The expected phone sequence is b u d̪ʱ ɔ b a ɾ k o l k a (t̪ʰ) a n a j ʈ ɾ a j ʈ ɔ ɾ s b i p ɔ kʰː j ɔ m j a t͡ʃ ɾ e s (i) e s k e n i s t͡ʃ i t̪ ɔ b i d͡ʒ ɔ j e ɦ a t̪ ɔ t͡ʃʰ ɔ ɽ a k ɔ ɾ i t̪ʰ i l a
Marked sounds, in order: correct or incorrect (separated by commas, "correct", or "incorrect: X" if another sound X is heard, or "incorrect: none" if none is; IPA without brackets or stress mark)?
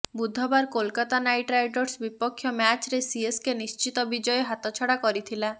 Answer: incorrect: t̪, correct